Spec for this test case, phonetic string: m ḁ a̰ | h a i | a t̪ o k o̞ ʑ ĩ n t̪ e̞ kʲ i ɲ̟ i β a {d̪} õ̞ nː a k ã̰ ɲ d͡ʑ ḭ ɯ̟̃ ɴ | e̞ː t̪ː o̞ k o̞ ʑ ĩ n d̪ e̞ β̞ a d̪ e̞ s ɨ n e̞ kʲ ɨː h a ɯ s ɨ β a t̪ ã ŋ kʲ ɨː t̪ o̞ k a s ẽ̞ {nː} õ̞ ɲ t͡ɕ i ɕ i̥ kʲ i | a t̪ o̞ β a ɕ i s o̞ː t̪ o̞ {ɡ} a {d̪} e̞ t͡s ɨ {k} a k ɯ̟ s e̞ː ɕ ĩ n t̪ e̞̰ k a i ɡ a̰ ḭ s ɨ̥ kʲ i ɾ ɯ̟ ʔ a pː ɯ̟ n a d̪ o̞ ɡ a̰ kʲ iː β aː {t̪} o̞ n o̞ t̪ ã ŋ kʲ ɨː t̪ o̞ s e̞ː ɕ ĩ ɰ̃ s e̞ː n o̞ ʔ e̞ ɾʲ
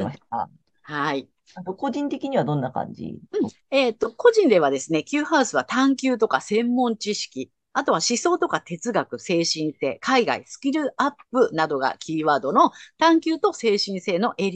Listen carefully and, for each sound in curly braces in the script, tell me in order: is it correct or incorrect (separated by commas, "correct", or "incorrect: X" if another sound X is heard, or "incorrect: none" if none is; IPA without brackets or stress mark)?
correct, incorrect: mː, incorrect: k, incorrect: t̪, incorrect: ɡ, incorrect: d̪